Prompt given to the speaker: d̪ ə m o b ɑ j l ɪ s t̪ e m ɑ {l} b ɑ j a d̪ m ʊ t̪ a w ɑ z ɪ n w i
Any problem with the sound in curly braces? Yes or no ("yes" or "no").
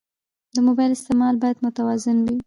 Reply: no